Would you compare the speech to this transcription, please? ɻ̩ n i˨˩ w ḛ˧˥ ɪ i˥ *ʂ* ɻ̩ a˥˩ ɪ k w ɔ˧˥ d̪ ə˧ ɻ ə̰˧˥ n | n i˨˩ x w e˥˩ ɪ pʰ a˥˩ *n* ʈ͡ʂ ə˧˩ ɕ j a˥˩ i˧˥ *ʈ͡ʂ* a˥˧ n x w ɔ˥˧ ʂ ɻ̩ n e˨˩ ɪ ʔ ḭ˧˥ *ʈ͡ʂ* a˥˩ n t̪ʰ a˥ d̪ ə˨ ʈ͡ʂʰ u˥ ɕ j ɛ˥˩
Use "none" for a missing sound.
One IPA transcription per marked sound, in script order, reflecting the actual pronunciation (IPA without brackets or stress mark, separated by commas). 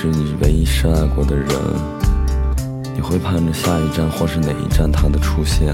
ʂ, n, ʈ͡ʂ, ʈ͡ʂ